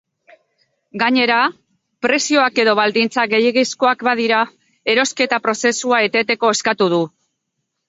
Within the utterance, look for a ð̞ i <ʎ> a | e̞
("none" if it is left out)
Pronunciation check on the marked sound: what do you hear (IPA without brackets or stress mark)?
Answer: ɾ